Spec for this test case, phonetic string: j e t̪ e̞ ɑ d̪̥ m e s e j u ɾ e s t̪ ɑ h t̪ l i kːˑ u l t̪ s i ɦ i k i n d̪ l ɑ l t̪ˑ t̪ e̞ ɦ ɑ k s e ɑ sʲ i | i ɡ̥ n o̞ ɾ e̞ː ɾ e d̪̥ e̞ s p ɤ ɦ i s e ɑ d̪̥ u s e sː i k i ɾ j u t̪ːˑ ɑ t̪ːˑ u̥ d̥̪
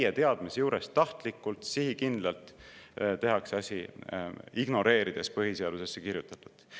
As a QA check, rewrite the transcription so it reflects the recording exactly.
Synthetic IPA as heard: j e t̪ e̞ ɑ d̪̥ m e s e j uː ɾ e s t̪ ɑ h t̪ l i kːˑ u l t̪ s i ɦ i k i n d̪ l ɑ l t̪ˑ t̪ e̞ ɦ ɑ k s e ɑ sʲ i | i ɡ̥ n o̞ ɾ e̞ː ɾ i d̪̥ e̞ s p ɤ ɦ i s e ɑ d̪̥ u s e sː e k i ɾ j u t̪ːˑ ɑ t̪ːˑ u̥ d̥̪